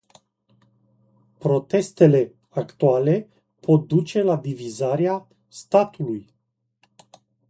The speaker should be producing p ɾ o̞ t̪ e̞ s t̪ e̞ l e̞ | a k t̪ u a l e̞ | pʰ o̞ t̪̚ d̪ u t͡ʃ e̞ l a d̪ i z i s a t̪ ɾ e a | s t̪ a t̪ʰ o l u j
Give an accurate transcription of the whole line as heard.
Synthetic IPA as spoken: p ɾ o̞ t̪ e̞ s t̪ e̞ l e̞ | a k t̪ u a l e̞ | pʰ o̞ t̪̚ d̪ u t͡ʃ e̞ l a d̪ i v i z a ɾ e a | s t̪ a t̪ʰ u l u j